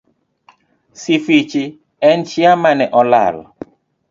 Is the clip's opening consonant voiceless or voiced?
voiceless